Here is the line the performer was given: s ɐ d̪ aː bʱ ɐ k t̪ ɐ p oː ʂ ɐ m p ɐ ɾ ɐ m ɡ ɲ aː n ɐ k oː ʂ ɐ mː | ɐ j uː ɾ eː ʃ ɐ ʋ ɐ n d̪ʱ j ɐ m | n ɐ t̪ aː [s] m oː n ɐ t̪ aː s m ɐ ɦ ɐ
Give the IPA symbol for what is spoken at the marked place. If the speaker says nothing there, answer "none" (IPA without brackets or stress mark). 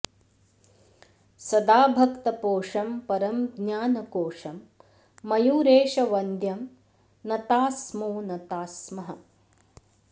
s